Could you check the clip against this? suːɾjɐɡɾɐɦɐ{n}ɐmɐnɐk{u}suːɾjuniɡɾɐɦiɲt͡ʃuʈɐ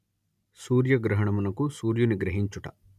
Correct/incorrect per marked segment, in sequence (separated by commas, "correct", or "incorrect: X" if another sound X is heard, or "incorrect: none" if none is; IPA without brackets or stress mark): incorrect: ɳ, correct